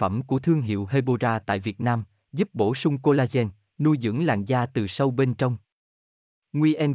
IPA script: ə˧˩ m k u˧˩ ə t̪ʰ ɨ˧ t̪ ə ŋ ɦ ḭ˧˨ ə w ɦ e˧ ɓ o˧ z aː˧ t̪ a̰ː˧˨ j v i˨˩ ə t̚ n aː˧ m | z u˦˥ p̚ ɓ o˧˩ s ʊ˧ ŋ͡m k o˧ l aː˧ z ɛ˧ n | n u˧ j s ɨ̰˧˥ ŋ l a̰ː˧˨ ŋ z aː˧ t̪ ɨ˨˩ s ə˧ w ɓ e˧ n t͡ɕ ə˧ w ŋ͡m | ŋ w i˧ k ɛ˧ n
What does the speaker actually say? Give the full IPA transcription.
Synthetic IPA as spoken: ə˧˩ m k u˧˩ ə t̪ʰ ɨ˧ ə ŋ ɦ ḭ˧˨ ə w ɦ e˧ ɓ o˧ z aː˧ t̪ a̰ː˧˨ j v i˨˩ ə t̚ n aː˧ m | z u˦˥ p̚ ɓ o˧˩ s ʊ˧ ŋ͡m k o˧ l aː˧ z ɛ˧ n | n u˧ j z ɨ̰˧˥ ŋ l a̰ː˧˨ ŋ z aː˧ t̪ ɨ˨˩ s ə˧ w ɓ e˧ n t͡ɕ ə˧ w ŋ͡m | ŋ w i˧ ʔ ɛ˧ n